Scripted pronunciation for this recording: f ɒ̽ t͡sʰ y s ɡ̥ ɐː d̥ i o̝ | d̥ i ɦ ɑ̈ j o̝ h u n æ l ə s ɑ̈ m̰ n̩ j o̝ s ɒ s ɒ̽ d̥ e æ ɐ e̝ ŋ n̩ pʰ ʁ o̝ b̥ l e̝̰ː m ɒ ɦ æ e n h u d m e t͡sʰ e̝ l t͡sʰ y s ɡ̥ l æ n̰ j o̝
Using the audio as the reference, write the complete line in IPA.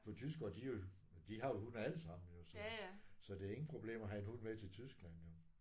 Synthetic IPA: f ɒ̽ t͡sʰ y s ɡ̥ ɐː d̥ i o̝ | d̥ i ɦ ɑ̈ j o̝ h u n æ l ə s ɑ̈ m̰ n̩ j o̝ s ɒ s ɒ̽ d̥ e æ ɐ e̝ ŋ n̩ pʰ ʁ o̝ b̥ l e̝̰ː m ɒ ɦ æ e n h u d m e t͡sʰ e̝ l t͡sʰ y s ɡ̥ l æ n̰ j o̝

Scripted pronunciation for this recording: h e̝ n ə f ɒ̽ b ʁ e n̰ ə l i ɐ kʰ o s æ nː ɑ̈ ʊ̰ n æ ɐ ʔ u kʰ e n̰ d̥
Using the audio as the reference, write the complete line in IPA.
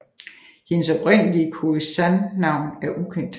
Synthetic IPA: h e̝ n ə s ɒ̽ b ʁ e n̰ ə l i ə kʰ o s æ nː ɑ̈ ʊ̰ n æ ɐ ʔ u kʰ e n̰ d̥

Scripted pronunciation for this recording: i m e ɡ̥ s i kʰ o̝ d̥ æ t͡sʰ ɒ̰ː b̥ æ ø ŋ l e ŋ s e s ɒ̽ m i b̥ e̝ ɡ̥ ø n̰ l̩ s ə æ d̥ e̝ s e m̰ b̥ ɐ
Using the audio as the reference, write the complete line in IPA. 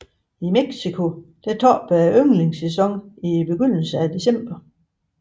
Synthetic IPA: i m e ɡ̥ s i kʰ o̝ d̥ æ t͡sʰ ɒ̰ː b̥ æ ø ŋ l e ŋ s e s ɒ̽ ŋ i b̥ e̝ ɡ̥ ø n̰ l̩ s ə æ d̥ e̝ s e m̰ b̥ ɐ

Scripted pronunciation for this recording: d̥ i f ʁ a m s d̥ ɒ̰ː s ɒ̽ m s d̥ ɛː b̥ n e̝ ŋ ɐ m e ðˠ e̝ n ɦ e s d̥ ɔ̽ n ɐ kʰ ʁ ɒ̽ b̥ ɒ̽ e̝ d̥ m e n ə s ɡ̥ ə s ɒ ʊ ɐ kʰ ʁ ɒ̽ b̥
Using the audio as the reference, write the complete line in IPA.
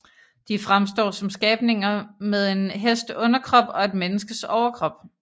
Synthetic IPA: d̥ i f ʁ a m s d̥ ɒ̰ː s ɒ̽ m s ɡ̥ ɛː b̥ n e̝ ŋ ɐ m e ðˠ e̝ n ɦ e s d̥ ɔ̽ n ɐ kʰ ʁ ɒ̽ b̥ ɒ̽ e̝ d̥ m e n ə s ɡ̥ ə s ɒ ʊ ɐ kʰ ʁ ɒ̽ b̥

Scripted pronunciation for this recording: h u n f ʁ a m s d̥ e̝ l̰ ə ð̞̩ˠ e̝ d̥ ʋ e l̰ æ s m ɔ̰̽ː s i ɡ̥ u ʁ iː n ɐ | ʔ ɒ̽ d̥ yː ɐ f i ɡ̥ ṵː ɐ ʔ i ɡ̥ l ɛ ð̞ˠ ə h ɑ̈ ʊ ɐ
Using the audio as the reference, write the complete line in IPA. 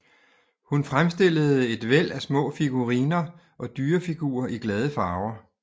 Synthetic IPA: h u n f ʁ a m s d̥ e̝ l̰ ə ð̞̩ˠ e̝ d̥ ʋ e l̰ æ s m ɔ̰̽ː f i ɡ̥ u ʁ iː n ɐ | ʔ ɒ̽ d̥ yː ɐ f i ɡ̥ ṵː ɐ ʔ i ɡ̥ l ɛ ð̞ˠ ə f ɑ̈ ʊ ɐ

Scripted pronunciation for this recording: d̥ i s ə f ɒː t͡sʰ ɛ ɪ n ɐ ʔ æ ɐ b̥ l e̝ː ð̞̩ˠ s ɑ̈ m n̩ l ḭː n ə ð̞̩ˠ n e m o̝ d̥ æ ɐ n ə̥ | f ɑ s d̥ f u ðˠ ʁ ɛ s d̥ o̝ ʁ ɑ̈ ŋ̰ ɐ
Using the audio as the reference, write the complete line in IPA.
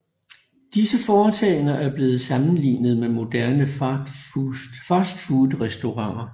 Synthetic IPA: d̥ i s ə f ɒː t͡sʰ ɛ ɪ n ɐ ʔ æ ɐ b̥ l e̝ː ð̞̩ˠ s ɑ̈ m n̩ l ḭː n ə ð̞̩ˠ m e m o̝ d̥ æ ɐ n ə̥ | f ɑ s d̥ f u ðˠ ʁ ɛ s d̥ o̝ ʁ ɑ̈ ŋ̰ ɐ

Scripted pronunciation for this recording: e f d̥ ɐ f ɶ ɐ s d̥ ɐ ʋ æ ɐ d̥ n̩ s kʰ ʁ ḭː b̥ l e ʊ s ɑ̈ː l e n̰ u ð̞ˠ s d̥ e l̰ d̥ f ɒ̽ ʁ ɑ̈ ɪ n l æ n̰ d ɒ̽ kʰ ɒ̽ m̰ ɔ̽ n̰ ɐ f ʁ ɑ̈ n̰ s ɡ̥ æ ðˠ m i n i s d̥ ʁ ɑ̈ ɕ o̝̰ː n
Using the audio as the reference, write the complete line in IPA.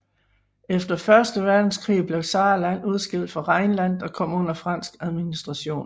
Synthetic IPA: e f d̥ ɐ f ɶ ɐ s d̥ ə ʋ æ ɐ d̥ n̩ s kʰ ʁ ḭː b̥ l e ʊ s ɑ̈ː l æ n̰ u ð̞ˠ s ɡ̥ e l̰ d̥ f ɒ̽ ʁ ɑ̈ ɪ n l æ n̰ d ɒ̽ kʰ ɒ̽ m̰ ɔ̽ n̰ ɐ f ʁ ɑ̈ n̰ s ɡ̥ æ ðˠ m i n i s d̥ ʁ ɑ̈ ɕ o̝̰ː n

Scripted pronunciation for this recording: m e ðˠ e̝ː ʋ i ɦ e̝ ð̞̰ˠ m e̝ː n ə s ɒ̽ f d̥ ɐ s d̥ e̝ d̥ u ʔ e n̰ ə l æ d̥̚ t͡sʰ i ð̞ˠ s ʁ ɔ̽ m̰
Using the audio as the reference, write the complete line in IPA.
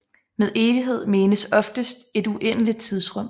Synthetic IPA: m e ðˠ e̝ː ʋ i ɦ e̝ ð̞̰ˠ m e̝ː n ə s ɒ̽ f d̥ ə s d̥ e̝ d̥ u ʔ e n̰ ə l i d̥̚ t͡sʰ i ð̞ˠ s ʁ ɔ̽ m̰

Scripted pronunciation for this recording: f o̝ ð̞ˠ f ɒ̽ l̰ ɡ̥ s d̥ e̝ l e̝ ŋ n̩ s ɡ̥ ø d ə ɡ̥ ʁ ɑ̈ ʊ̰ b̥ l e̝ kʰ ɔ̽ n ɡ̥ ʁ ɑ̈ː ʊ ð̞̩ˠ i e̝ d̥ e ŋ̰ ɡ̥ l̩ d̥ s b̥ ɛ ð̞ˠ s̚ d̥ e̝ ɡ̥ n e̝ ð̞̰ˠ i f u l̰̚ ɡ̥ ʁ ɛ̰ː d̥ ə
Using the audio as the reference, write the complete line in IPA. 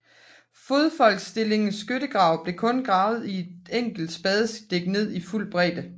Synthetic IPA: f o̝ ð̞ˠ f ɒ̽ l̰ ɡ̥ s d̥ e̝ l e̝ ŋ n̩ s ɡ̥ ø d ə ɡ̥ ʁ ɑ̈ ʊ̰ b̥ l e̝ kʰ ɔ̽ n ɡ̥ ʁ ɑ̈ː ʊ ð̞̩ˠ i e̝ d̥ e ŋ̰ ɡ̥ l̩ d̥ s b̥ ɛ ð̞ˠ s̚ d̥ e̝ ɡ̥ n e̝ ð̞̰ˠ i f u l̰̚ b̥ ʁ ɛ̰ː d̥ ə

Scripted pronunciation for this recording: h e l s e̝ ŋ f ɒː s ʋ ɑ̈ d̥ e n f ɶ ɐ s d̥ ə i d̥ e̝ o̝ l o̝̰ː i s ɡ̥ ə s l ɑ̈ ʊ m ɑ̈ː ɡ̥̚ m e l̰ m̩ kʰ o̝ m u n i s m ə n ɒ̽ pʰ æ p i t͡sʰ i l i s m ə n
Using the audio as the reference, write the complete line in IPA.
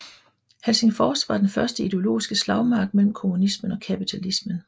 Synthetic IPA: h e l s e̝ ŋ f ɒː s ʋ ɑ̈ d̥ e n f ɶ ɐ s d̥ ə i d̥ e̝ o̝ l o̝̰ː i s ɡ̥ ə s l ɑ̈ ʊ m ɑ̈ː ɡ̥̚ m e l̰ m̩ kʰ o̝ m u n i s m ə n ɒ̽ kʰ æ p i t͡sʰ æ l i s m ə n

